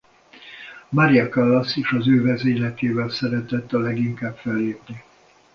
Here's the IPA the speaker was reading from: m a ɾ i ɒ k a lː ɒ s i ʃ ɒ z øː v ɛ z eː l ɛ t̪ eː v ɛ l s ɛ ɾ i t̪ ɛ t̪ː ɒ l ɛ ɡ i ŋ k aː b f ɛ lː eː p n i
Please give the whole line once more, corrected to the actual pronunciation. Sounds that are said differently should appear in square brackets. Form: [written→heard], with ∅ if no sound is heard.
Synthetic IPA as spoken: m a ɾ i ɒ k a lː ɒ s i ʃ ɒ z øː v ɛ z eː l ɛ t̪ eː v ɛ l s ɛ ɾ [i→ɛ] t̪ ɛ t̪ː ɒ l ɛ ɡ i ŋ k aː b f ɛ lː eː p n i